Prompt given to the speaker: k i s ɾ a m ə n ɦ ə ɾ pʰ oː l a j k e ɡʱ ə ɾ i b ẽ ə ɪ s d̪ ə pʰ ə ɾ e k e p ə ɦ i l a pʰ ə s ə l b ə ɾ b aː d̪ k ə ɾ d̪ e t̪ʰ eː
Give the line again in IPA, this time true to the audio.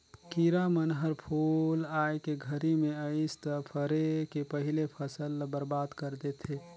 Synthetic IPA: k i ɾ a m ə n ɦ ə ɾ pʰ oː l a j k e ɡʱ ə ɾ i m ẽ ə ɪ s t̪ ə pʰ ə ɾ e k e p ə ɦ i l e pʰ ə s ə l b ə ɾ b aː d̪ k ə ɾ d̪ e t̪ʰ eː

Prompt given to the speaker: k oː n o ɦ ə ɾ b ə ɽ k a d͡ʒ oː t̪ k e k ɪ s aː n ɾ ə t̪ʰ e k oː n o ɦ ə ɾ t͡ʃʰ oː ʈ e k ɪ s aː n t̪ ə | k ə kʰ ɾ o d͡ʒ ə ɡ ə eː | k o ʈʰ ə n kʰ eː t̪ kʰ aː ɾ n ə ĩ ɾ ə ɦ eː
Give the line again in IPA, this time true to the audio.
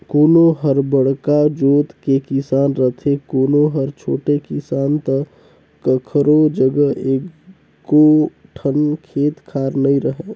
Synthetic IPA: k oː n o ɦ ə ɾ b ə ɽ k a d͡ʒ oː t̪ k e k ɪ s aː n ɾ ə t̪ʰ e k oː n o ɦ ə ɾ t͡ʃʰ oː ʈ e k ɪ s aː n t̪ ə | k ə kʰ ɾ o d͡ʒ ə ɡ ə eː | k o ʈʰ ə n kʰ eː t̪ kʰ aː ɾ n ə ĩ ɾ ə ɦ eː

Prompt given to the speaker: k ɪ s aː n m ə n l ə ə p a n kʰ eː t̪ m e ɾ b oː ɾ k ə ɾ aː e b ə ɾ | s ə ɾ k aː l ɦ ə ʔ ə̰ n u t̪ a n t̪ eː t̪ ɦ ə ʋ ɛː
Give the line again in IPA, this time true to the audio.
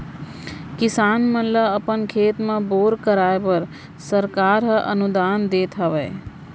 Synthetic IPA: k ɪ s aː n m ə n l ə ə p ə n kʰ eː t̪ m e b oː ɾ k ə ɾ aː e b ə ɾ | s ə ɾ k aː ɾ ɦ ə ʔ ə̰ n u d̪ a n d̪ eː t̪ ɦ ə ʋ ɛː

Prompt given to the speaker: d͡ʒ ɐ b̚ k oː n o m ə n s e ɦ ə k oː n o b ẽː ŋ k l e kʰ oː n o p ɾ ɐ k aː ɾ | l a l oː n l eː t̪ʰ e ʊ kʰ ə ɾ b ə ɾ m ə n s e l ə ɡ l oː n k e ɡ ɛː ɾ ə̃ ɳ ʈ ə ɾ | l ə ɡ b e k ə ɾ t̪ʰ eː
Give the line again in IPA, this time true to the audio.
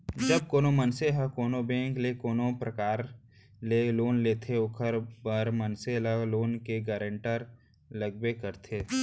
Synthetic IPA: d͡ʒ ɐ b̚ k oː n o m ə n s e ɦ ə k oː n o b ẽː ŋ k l e k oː n o p ɾ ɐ k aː ɾ | l e l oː n l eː t̪ʰ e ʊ kʰ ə ɾ b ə ɾ m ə n s e l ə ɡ l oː n k e ɡ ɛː ɾ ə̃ ɳ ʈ ə ɾ | l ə ɡ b e k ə ɾ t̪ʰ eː

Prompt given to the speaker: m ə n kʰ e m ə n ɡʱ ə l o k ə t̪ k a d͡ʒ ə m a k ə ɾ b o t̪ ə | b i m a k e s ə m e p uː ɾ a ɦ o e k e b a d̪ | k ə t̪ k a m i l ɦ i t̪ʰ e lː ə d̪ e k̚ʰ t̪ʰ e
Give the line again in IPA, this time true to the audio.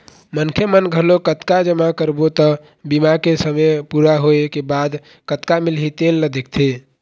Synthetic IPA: m ə n kʰ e m ə n ɡʱ ə l o k ə t̪ k a d͡ʒ ə m a k ə ɾ b o t̪ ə | b i m a k e s ə m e p u ɾ a ɦ o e k e b a d̪ | k ə t̪ k a m i l ɦ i t̪ e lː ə d̪ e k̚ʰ t̪ʰ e

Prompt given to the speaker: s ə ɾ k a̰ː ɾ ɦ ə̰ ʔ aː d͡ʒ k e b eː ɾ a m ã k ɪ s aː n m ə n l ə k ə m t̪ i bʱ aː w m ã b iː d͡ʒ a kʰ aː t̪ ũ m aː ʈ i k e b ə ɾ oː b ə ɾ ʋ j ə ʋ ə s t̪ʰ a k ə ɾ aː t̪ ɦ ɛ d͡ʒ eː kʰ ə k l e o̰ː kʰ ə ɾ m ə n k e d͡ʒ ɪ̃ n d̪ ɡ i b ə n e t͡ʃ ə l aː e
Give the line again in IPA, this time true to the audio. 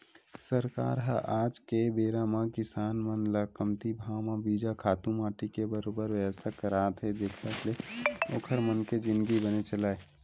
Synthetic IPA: s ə ɾ k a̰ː ɾ ɦ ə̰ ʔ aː d͡ʒ k e b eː ɾ a m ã k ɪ s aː n m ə n l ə k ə m t̪ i bʱ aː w m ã b iː d͡ʒ a kʰ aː t̪ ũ m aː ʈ i k e b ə ɾ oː b ə ɾ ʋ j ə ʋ ə s t̪ʰ a k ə ɾ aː t̪ ɦ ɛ d͡ʒ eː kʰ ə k l e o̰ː kʰ ə ɾ m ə n k e d͡ʒ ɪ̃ n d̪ ɡ i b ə n e t͡ʃ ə l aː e

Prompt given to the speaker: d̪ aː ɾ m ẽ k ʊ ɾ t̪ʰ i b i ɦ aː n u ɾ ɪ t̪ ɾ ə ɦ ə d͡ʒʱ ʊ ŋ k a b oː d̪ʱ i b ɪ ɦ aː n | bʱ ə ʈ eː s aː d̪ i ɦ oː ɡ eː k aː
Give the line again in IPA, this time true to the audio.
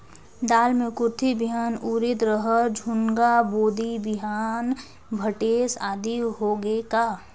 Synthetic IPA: d̪ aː l m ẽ k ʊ ɾ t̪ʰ i b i ɦ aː n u ɾ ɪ t̪ ɾ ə ɦ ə d͡ʒʱ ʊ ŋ ɡ a b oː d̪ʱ i b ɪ ɦ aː n | bʱ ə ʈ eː s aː d̪ i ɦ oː ɡ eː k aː

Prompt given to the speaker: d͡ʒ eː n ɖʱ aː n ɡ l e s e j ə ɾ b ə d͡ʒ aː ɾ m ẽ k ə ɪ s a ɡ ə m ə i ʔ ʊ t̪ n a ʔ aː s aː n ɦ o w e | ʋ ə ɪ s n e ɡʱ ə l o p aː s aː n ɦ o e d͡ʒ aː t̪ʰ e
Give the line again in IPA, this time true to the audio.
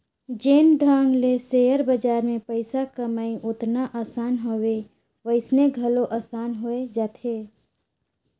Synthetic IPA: d͡ʒ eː n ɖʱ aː ŋ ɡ l e s e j ə ɾ b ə d͡ʒ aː ɾ m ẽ p ə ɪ s a k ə m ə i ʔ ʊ t̪ n a ʔ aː s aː n ɦ o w e | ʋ ə ɪ s n e ɡʱ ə l o ʔ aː s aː n ɦ o e d͡ʒ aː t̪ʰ e

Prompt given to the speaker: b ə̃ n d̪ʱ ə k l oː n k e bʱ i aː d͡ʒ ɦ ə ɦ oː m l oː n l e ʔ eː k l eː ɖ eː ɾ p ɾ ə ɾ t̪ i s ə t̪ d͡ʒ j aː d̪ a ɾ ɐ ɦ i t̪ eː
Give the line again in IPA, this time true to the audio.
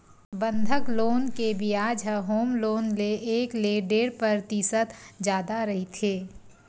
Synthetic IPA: b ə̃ n d̪ʱ ə k l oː n k e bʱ i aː d͡ʒ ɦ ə ɦ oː m l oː n l e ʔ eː k l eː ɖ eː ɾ p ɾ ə ɾ t̪ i s ə t̪ d͡ʒ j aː d̪ a ɾ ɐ ɦ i t̪ʰ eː

